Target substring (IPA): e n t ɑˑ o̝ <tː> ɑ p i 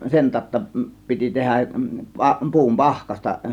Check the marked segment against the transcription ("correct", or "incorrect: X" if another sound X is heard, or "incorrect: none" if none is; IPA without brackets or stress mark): correct